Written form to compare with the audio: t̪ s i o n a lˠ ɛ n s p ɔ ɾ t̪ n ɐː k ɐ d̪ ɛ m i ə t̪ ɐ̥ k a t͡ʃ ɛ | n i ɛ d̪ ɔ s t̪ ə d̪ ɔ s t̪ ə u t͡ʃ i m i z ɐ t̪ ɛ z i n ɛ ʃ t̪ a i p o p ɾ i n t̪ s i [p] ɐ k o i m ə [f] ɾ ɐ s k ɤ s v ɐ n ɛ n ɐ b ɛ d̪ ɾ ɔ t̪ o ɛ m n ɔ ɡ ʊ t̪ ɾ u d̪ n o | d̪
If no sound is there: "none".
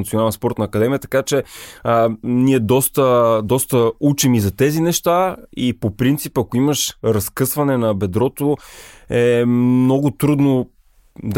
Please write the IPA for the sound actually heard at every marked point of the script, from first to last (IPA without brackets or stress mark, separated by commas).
p, ʃ